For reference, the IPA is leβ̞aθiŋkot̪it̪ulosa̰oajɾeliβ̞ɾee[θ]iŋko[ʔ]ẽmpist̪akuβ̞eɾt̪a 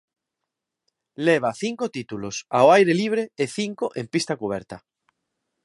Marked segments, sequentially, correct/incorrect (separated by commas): correct, correct